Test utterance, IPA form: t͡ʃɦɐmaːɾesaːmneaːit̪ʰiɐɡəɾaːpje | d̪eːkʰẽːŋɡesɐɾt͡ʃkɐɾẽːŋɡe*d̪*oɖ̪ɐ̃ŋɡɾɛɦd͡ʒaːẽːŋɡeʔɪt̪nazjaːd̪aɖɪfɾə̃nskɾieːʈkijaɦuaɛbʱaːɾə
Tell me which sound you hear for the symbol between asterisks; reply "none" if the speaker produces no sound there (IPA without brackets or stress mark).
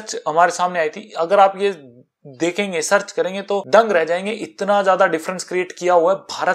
t̪